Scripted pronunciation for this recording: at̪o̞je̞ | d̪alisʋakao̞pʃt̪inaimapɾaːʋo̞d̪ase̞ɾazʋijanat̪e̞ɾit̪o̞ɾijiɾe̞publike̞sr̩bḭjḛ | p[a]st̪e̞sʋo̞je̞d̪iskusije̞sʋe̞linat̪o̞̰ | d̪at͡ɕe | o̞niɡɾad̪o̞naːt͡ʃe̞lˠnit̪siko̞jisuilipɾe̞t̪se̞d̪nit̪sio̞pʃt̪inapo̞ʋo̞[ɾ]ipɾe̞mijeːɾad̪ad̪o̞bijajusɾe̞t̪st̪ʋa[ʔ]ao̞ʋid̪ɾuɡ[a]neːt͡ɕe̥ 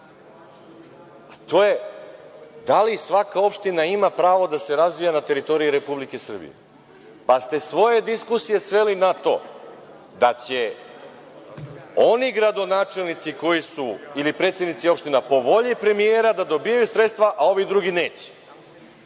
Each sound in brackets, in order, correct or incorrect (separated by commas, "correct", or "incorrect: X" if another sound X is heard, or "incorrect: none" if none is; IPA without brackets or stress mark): correct, incorrect: ʎ, correct, incorrect: i